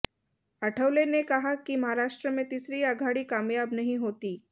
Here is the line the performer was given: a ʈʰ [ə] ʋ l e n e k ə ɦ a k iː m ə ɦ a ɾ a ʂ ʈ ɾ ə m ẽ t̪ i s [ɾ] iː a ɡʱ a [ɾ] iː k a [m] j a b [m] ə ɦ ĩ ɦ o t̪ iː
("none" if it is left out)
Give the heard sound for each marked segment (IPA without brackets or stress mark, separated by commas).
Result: ə, ɾ, ɽ, m, n